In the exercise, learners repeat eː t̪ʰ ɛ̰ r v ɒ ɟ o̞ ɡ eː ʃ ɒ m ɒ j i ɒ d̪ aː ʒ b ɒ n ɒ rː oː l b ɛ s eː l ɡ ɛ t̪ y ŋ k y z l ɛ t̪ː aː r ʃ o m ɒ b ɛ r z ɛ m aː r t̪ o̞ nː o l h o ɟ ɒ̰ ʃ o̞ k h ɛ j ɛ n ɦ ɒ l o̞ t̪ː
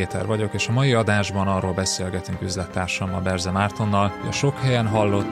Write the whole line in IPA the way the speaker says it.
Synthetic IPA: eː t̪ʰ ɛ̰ r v ɒ ɟ o̞ k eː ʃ ɒ m ɒ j i ɒ d̪ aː ʒ b ɒ n ɒ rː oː l b ɛ s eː l ɡ ɛ t̪ y ŋ k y z l ɛ t̪ː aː r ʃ ɒ m ɒ b ɛ r z ɛ m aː r t̪ o̞ nː ɒ l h o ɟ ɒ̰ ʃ o̞ k h ɛ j ɛ n ɦ ɒ lː o̞ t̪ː